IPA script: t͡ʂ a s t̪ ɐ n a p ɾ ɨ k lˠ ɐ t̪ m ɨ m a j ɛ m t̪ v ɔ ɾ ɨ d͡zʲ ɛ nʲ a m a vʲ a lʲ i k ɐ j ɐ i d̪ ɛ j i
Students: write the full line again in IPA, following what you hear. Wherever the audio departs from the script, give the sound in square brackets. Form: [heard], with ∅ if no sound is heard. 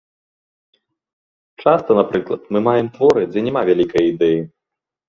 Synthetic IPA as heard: t͡ʂ a s t̪ ɐ n a p ɾ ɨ k lˠ ɐ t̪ m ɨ m a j ɛ m t̪ v ɔ ɾ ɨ d͡zʲ ɛ nʲ [ɛ] m a vʲ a lʲ i k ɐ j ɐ i d̪ ɛ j i